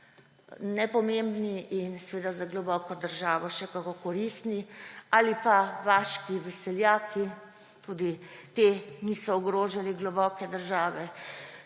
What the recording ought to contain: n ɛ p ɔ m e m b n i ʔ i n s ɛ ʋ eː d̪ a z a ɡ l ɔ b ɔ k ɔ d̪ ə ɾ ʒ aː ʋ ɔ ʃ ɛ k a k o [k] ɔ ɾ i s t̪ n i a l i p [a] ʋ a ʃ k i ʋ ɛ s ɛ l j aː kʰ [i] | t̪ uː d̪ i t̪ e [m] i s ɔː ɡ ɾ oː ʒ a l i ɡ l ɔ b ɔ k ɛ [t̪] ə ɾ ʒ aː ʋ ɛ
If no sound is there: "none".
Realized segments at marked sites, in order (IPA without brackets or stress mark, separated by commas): k, a, i, n, d̪